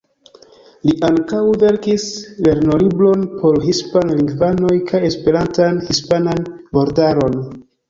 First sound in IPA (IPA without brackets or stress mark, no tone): l